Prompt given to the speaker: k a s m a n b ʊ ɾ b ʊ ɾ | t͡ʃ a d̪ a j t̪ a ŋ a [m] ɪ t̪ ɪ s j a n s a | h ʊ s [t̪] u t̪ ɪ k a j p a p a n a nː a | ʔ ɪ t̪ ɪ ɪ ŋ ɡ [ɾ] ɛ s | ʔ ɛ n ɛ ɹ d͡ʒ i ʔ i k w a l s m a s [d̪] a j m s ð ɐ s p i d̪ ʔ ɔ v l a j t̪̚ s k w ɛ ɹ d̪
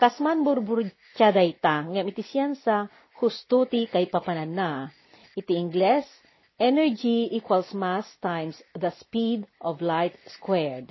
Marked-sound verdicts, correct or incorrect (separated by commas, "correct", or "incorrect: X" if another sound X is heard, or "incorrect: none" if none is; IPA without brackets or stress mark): correct, correct, incorrect: l, incorrect: t̪